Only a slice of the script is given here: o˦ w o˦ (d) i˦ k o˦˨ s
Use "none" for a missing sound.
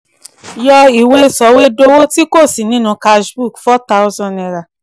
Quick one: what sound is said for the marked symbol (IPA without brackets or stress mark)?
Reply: t